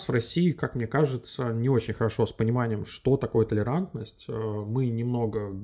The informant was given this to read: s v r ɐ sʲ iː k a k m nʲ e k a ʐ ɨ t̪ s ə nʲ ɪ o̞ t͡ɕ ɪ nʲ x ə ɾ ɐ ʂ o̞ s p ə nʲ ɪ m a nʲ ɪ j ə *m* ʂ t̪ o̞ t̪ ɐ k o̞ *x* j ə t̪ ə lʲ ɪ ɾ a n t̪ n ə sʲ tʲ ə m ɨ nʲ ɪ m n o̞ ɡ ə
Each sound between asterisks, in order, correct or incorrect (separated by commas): correct, incorrect